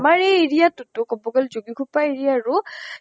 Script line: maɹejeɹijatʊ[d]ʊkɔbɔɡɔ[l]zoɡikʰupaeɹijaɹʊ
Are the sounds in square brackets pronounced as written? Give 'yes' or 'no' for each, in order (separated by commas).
no, yes